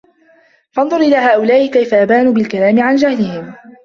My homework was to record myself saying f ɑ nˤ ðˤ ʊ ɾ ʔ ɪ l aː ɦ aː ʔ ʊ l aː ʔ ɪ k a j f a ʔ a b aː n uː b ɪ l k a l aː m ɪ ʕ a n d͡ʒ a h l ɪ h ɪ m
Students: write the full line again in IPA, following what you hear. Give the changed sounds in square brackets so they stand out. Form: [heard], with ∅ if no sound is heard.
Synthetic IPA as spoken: f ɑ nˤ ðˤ ʊ ɾ ʔ ɪ l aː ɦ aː ʔ ʊ l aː ʔ ɪ k a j f a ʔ a b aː n uː b ɪ l k a l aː m ɪ ʕ a n d͡ʒ a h l ɪ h ɪ m